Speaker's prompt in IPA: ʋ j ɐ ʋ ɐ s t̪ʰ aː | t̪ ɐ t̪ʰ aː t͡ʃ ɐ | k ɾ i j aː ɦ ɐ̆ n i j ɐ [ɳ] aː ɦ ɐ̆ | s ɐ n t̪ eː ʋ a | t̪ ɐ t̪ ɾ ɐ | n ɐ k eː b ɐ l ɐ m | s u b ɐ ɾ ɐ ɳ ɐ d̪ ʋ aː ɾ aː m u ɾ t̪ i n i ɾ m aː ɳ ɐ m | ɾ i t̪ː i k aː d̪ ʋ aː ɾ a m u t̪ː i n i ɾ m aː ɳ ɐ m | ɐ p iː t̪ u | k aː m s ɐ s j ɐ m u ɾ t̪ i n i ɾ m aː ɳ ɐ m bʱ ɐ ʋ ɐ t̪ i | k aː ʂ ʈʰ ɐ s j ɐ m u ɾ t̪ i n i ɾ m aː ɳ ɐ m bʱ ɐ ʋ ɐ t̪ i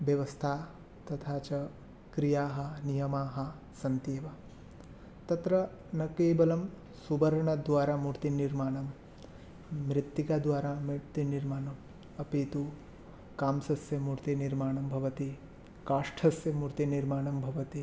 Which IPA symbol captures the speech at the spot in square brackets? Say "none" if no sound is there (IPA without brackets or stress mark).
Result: m